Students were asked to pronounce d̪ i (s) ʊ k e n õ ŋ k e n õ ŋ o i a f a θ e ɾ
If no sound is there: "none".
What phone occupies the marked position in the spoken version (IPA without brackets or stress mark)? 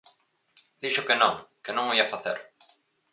ʃ